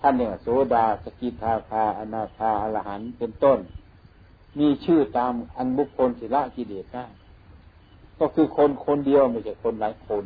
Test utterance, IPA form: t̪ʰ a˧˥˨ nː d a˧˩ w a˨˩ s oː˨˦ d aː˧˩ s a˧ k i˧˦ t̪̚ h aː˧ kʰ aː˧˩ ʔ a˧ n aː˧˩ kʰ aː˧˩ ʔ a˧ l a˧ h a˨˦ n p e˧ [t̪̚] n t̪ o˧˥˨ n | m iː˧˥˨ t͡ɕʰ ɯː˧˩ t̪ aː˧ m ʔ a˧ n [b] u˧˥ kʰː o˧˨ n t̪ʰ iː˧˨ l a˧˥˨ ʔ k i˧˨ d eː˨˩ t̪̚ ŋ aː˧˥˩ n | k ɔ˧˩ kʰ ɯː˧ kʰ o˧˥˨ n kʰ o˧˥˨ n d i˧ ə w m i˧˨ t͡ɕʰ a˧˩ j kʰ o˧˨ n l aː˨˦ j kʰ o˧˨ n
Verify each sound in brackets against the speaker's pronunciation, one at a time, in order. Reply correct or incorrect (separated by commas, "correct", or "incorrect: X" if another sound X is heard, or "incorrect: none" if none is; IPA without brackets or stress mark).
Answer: incorrect: none, correct